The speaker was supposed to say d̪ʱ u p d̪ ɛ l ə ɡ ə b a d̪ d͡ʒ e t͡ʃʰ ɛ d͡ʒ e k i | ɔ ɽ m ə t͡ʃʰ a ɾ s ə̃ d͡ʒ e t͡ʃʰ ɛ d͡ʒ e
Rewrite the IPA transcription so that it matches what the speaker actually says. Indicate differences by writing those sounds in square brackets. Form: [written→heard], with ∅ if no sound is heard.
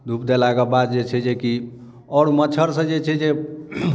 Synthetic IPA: d̪ʱ u p d̪ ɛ l [ə→a] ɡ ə b a d̪ d͡ʒ e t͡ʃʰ ɛ d͡ʒ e k i | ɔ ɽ m ə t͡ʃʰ [a→ə] ɾ s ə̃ d͡ʒ e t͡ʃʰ ɛ d͡ʒ e